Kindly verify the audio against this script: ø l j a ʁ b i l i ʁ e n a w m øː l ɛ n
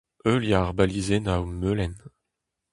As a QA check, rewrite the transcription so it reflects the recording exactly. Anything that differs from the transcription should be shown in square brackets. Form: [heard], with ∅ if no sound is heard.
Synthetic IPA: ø l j a ʁ b [a] l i [z] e n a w m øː l ɛ n